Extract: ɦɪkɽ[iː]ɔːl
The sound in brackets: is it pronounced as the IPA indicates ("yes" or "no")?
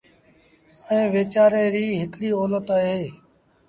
yes